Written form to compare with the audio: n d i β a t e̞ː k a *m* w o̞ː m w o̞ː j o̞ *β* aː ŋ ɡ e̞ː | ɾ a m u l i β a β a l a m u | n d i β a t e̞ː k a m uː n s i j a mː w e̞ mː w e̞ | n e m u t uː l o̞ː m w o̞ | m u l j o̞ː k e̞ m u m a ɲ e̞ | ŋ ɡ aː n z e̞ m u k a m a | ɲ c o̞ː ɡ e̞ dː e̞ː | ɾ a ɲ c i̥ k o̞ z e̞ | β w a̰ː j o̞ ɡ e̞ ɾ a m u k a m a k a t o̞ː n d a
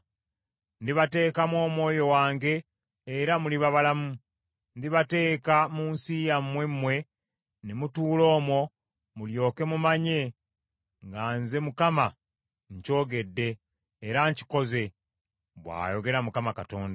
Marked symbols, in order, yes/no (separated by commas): yes, no